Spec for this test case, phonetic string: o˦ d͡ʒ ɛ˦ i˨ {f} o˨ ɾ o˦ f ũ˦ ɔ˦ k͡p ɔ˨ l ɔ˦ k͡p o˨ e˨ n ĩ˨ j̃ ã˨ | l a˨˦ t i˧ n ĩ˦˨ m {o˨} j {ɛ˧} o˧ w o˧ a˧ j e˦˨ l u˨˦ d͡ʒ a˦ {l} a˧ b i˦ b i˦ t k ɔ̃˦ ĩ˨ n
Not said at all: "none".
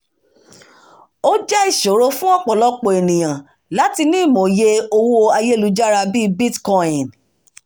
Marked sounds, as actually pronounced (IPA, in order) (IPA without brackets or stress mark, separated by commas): ʃ, o˨, e˧, ɾ